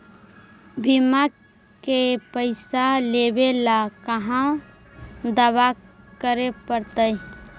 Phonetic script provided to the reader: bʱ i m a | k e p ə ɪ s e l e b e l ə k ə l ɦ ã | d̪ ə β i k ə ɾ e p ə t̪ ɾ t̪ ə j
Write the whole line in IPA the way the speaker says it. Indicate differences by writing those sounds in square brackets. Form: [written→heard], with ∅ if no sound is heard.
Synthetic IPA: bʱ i m a | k e p ə ɪ s [e→a] l e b e l [ə→a] k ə [l→∅] ɦ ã | d̪ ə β [i→a] k ə ɾ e p ə [t̪→∅] ɾ t̪ ə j

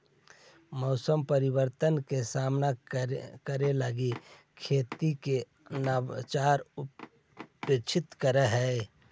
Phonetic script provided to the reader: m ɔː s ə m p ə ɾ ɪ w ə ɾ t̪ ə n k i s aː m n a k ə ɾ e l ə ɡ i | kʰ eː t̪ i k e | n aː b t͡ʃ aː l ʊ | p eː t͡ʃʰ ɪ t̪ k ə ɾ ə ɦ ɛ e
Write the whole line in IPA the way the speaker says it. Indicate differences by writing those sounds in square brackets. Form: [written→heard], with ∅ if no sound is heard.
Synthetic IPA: m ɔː s ə m p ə ɾ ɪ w ə ɾ t̪ ə n k [i→e] s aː m n a k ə ɾ e l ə ɡ i | kʰ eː t̪ i k e | n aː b t͡ʃ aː [l→ɾ] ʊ | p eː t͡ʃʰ ɪ t̪ k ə ɾ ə ɦ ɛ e

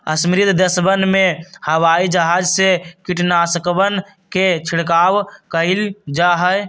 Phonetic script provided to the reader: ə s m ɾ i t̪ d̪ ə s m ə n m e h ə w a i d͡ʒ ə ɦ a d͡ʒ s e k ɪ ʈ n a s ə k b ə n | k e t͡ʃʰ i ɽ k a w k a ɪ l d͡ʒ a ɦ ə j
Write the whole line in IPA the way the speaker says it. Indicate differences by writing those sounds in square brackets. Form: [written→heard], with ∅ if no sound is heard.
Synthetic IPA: ə s m ɾ i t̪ d̪ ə s [m→b] ə n m e h ə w a i d͡ʒ ə ɦ a d͡ʒ s e k [ɪ→i] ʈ n a s ə k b ə n | k e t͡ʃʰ i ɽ k a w k [a→ə] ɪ l d͡ʒ a ɦ ə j

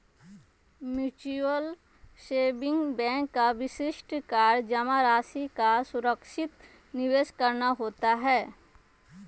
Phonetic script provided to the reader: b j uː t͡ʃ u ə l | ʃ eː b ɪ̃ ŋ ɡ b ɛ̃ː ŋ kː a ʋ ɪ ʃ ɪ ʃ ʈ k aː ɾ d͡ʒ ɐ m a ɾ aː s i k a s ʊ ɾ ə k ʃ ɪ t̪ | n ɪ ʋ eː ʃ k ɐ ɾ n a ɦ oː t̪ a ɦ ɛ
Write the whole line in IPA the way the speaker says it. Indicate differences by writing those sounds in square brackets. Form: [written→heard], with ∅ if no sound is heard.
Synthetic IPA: [b→m] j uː t͡ʃ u ə l | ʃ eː b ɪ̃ ŋ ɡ b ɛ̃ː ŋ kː a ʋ ɪ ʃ ɪ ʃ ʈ k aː ɾ d͡ʒ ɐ m a ɾ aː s i k a s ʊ ɾ ə k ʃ ɪ t̪ | n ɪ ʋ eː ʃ k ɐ ɾ n a ɦ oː t̪ a ɦ [ɛ→ɛː]

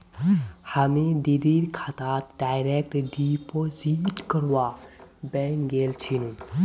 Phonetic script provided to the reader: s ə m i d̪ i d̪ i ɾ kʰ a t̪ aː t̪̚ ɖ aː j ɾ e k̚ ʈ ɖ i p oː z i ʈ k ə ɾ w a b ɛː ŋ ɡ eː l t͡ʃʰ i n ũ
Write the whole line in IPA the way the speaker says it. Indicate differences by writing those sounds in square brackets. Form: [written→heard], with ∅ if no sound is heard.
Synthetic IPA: [s→h] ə m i d̪ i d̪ i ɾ kʰ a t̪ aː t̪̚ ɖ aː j ɾ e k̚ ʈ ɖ i p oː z i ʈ k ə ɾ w a b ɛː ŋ ɡ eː l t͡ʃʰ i n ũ

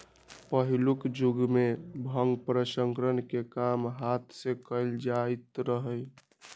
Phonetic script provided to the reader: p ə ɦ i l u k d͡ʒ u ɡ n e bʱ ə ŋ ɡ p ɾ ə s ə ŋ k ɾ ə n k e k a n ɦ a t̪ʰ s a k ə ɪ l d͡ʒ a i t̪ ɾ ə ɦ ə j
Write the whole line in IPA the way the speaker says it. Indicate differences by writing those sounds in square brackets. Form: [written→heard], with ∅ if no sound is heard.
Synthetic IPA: p ə ɦ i l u k d͡ʒ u ɡ [n→m] e bʱ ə ŋ ɡ p ɾ ə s ə ŋ k ɾ ə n k e k a [n→m] ɦ a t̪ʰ s [a→e] k ə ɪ l d͡ʒ a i t̪ ɾ ə ɦ ə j

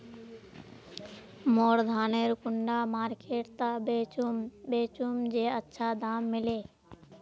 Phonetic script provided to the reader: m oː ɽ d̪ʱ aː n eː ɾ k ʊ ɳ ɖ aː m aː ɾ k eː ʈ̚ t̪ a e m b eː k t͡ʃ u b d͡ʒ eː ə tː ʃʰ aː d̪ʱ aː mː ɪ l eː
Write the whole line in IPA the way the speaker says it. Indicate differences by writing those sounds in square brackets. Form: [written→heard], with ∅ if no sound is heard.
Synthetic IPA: m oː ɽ d̪ʱ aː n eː ɾ k ʊ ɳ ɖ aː m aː ɾ k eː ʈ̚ t̪ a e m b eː [k→∅] t͡ʃ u [b→m] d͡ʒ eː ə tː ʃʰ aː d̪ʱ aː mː ɪ l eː

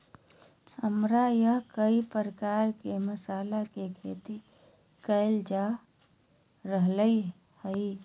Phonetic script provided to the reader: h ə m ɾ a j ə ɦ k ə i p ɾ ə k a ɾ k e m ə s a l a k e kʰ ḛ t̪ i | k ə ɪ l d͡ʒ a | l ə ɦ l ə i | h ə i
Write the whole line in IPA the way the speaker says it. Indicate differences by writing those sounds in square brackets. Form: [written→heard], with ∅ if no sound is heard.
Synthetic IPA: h ə m ɾ a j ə ɦ k ə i p ɾ ə k a ɾ k e m ə s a l a k e kʰ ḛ t̪ i | k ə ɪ l d͡ʒ a | [l→ɾ] ə ɦ l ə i | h ə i

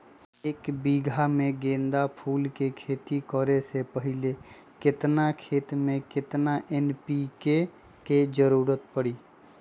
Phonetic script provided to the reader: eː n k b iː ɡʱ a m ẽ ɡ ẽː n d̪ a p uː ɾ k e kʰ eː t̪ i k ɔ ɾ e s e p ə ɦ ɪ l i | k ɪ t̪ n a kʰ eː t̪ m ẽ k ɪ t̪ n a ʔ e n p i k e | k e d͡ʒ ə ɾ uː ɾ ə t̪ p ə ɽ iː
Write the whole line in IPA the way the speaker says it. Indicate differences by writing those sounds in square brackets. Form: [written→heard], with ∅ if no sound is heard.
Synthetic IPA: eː [n→∅] k b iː ɡʱ a m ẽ ɡ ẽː n d̪ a [p→pʰ] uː [ɾ→l] k e kʰ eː t̪ i k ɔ ɾ e s e p ə ɦ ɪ l [i→e] | k ɪ t̪ n a kʰ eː t̪ m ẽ k ɪ t̪ n a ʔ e n p i k e | k e d͡ʒ ə ɾ uː ɾ ə t̪ p ə ɽ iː

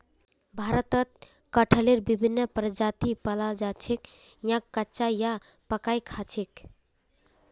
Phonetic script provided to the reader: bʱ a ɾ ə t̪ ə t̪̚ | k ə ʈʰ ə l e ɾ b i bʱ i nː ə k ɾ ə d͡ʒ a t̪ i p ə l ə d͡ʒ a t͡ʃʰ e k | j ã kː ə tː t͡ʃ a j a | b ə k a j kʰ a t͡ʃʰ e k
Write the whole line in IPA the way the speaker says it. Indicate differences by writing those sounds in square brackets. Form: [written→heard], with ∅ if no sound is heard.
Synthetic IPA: bʱ a ɾ ə t̪ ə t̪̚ | k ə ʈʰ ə l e ɾ b i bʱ i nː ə [k→p] ɾ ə d͡ʒ a t̪ i p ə l [ə→a] d͡ʒ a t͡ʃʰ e k | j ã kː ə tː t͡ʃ a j a | [b→p] ə k a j kʰ a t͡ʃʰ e k

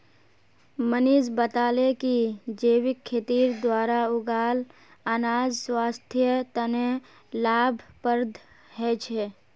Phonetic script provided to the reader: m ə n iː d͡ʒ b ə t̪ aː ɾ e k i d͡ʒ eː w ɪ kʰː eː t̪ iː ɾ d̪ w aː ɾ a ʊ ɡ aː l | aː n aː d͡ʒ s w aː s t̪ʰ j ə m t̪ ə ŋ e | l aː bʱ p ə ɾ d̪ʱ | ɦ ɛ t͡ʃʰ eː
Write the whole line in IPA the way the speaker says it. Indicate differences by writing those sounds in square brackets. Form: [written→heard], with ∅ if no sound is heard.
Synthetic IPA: m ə n iː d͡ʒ b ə t̪ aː [ɾ→l] e k i d͡ʒ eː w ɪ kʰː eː t̪ iː ɾ d̪ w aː ɾ a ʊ ɡ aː l | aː n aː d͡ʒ s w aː s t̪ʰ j ə [m→∅] t̪ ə [ŋ→n] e | l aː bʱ p ə ɾ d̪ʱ | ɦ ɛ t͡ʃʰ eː

